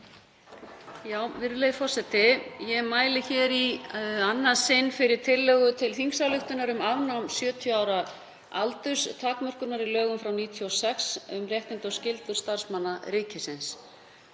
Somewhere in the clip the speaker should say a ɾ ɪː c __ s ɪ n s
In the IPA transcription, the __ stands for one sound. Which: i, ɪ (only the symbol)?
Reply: ɪ